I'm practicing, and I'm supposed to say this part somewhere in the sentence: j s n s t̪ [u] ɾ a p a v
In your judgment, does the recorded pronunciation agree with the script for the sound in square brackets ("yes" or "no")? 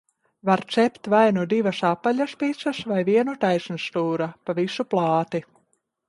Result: no